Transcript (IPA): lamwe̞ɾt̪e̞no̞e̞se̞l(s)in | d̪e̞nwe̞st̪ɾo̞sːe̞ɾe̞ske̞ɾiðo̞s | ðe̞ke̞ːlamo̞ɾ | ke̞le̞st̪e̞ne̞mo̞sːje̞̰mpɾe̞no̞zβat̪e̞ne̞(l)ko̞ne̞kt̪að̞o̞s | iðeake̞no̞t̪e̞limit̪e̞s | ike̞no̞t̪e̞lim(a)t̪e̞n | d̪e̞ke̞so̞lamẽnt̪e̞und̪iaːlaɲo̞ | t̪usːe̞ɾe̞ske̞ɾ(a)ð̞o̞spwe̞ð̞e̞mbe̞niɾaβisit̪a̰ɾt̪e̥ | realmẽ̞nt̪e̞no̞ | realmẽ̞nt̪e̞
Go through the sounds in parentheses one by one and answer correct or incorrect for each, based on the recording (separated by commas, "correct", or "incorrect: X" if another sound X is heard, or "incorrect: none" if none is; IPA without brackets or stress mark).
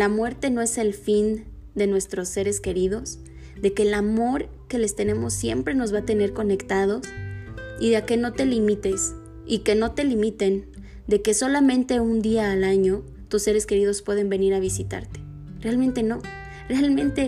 incorrect: f, incorrect: ɾ, incorrect: i, incorrect: i